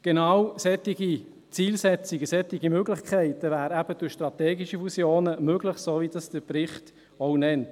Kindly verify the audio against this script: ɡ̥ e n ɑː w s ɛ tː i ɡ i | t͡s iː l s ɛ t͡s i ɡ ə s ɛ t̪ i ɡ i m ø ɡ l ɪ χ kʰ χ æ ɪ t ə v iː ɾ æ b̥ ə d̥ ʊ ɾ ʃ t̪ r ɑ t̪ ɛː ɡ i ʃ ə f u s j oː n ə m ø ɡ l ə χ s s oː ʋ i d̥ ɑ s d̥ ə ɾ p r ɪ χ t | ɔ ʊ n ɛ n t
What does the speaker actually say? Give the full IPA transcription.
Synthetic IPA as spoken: ɡ̥ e n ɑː w s ɛ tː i ɡ i | t͡s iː l s ɛ t͡s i ɡ ə s ɛ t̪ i ɡ i m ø ɡ l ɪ χ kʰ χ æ ɪ t ə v æː ɾ æ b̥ ə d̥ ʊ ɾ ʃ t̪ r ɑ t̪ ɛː ɡ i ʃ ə f u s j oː n ə m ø ɡ l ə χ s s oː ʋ i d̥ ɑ s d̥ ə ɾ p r ɪ χ t | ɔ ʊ n ɛ n t